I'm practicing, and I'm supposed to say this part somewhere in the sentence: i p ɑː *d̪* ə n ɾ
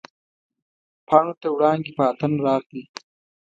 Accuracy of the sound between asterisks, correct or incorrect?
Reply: incorrect